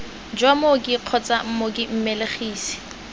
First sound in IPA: d͡ʒ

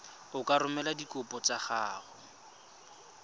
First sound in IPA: ʊ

